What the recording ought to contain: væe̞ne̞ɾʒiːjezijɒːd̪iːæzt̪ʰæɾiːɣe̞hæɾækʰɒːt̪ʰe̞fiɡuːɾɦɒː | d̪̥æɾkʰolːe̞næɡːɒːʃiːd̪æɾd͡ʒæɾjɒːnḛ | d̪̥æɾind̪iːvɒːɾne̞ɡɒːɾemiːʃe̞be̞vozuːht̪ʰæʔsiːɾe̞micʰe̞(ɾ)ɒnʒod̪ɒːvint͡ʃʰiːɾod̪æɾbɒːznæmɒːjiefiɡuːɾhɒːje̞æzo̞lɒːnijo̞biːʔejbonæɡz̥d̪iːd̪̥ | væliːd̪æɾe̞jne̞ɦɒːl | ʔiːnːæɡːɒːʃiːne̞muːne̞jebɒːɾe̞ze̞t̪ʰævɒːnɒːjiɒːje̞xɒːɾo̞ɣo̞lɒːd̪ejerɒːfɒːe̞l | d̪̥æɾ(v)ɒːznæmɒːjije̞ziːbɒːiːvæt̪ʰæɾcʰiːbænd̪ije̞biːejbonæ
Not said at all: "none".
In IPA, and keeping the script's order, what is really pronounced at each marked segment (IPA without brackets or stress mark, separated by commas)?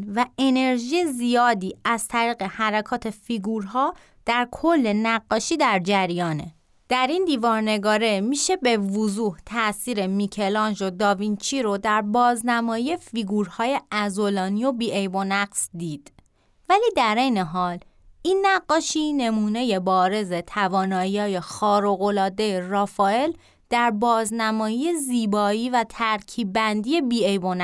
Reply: l, b